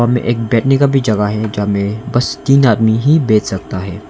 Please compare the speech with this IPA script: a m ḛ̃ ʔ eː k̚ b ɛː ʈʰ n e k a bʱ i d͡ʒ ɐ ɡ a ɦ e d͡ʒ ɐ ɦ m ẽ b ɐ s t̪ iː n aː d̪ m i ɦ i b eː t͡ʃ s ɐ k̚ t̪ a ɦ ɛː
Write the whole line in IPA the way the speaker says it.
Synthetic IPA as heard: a m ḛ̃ ʔ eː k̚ b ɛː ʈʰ n e k a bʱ i d͡ʒ ɐ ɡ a ɦ ɛ d͡ʒ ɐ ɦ m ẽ b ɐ s t̪ iː n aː d̪ m i ɦ i b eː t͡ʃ s ɐ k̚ t̪ a ɦ ɛː